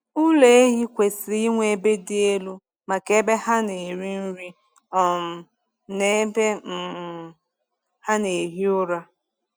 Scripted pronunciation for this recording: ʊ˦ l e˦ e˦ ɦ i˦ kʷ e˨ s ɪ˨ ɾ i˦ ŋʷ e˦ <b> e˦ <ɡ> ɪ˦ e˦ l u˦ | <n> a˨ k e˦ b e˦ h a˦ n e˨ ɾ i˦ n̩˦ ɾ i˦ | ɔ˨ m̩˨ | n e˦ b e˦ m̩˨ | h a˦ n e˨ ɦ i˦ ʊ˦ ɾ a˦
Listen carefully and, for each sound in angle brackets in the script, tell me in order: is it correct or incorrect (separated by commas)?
correct, incorrect, incorrect